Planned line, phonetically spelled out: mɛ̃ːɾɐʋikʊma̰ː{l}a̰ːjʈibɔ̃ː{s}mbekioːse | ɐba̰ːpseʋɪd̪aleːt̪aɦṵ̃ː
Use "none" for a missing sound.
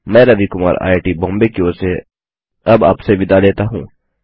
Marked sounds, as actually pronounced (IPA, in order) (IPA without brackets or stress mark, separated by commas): ɾ, none